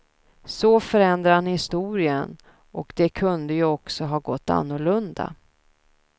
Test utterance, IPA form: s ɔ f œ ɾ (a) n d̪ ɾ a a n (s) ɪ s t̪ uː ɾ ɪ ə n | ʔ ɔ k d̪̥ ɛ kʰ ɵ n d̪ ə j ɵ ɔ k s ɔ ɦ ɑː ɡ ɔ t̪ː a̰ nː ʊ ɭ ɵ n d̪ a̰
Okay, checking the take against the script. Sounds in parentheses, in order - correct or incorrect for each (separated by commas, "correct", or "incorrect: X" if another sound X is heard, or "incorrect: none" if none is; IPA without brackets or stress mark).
incorrect: ɛ, incorrect: h